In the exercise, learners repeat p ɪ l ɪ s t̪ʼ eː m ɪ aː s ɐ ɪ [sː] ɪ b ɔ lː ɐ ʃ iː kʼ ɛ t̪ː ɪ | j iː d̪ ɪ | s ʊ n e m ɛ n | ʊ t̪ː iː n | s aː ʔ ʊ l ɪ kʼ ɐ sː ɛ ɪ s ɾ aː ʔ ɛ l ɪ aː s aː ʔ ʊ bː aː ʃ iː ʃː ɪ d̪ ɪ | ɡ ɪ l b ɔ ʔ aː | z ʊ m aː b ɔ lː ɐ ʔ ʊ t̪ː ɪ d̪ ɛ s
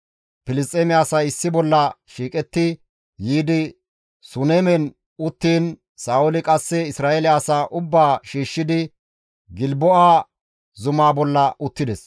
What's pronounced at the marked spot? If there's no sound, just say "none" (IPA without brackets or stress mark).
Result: sː